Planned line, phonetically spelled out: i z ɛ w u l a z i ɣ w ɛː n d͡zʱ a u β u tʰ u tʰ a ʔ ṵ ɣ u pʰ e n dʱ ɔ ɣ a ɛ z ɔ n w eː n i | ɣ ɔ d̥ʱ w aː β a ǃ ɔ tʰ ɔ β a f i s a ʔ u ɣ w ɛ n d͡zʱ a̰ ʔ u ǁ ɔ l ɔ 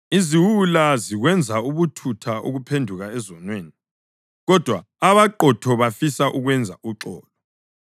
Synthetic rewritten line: i z i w u l a z i ɣ w ɛ n d͡zʱ a u β u tʰ u tʰ a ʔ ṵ ɣ u pʰ e n dʱ u ɣ a ɛ z ɔ n w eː n i | ɣ ɔ d̥ʱ w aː β a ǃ ɔ tʰ ɔ β a f i s a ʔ u ɣ w ɛ n d͡zʱ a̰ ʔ u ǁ ɔː l ɔ